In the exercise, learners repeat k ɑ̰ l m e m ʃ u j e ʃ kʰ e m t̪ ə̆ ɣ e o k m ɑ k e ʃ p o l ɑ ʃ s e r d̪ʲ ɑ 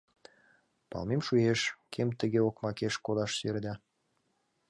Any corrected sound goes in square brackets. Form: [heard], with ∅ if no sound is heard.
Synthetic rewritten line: [p] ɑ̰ l m e m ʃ u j e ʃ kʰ e m t̪ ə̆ ɣ e o k m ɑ k e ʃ [k] o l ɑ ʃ s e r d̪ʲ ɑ